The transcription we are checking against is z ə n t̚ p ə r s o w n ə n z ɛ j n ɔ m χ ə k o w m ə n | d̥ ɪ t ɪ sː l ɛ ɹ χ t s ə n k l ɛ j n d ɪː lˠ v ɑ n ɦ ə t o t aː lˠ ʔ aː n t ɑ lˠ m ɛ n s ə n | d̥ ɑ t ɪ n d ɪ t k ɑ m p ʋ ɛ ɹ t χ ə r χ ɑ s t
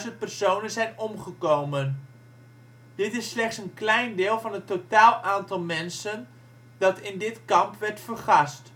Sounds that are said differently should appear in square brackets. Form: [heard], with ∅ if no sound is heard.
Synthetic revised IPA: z ə n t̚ p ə r s o w n ə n z ɛ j n ɔ m χ ə k o w m ə n | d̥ ɪ t ɪ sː l ɛ [∅] χ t s ə n k l ɛ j n d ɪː lˠ v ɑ n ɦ ə t o t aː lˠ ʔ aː n t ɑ lˠ m ɛ n s ə n | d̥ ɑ t ɪ n d ɪ t k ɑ m p ʋ ɛ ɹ t [f] ə r χ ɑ s t